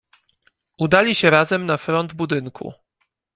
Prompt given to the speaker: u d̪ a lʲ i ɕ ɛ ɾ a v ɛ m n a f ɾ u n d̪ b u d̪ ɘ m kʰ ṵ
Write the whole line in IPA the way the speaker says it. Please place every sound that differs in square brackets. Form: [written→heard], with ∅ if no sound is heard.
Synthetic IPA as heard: u d̪ a lʲ i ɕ ɛ ɾ a [v→z] ɛ m n a f ɾ [u→ɔ] n d̪ b u d̪ ɘ [m→ŋ] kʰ ṵ